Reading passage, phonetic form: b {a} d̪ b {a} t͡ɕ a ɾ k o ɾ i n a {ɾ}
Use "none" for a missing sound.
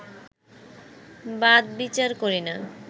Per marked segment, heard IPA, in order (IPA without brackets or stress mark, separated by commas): a, i, none